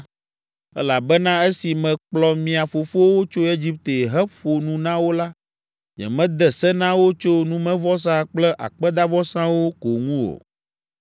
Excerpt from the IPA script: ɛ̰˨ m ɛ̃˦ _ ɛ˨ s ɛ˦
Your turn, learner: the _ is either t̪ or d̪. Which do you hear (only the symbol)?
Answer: d̪